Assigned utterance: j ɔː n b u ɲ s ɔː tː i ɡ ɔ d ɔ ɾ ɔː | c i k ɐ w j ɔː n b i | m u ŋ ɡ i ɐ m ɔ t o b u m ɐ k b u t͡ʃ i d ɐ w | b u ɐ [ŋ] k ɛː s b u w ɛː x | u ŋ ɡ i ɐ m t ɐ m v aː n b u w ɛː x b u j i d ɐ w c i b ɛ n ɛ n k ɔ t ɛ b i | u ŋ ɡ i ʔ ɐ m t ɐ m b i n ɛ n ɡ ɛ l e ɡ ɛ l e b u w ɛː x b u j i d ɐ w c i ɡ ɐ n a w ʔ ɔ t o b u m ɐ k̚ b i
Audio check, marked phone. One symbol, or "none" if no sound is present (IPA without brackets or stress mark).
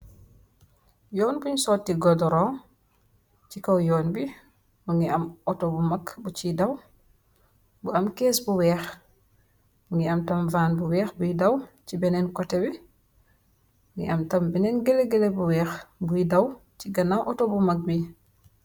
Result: m